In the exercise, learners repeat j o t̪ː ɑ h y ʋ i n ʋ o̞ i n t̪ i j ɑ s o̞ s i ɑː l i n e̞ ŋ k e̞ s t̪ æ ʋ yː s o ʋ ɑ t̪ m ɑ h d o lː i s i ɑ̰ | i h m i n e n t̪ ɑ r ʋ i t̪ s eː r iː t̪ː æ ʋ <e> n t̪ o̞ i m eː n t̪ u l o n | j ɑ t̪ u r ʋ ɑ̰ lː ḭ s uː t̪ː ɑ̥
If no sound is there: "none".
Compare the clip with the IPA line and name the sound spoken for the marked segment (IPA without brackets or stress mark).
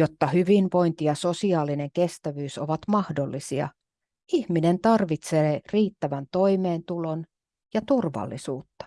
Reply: æ